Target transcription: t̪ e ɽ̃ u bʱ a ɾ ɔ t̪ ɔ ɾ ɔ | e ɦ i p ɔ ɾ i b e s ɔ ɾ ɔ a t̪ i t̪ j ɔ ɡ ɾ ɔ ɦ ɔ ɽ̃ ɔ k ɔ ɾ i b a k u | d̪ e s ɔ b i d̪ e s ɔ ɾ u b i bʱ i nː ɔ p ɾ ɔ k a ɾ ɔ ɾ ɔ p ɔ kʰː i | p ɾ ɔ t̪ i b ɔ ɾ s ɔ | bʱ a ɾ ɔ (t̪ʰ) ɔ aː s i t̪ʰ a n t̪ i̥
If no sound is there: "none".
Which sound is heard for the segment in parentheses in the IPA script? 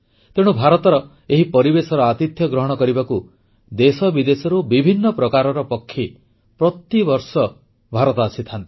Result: t̪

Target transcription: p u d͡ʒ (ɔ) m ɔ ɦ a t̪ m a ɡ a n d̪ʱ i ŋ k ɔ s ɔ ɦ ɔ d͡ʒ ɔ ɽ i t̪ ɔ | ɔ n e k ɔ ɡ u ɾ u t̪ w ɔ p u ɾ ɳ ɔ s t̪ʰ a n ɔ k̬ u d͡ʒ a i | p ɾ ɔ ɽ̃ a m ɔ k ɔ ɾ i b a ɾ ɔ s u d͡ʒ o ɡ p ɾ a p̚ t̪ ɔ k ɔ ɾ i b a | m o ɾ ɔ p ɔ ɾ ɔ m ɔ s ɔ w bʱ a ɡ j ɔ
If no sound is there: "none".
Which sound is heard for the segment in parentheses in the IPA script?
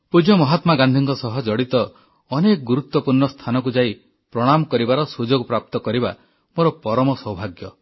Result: ɔ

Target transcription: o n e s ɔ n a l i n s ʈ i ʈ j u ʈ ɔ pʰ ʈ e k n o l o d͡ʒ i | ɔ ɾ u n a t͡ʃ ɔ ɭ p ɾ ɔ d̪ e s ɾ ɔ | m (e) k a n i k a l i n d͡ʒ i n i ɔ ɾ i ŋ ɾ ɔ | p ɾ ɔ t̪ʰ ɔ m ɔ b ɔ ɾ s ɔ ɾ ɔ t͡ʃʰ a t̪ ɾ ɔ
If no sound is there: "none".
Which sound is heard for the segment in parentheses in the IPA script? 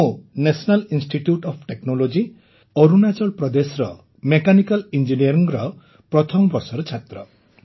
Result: e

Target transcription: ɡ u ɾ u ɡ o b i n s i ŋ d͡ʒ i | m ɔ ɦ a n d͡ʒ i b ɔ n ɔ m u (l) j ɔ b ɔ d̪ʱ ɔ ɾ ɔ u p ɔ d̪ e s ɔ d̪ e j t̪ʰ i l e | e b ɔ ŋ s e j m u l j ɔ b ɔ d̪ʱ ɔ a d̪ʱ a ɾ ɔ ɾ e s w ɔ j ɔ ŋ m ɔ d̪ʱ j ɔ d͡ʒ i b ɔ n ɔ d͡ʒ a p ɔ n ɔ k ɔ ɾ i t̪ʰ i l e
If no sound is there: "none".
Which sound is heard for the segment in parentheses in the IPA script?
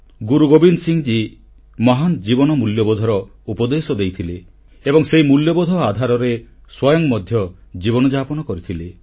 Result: l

